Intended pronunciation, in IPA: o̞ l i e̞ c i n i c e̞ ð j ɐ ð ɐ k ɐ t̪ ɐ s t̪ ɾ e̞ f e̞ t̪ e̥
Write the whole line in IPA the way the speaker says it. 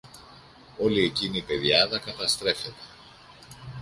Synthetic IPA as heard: o̞ l i e̞ c i n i p e̞ ð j ɐ ð ɐ k ɐ t̪ ɐ s t̪ ɾ e̞ f e̞ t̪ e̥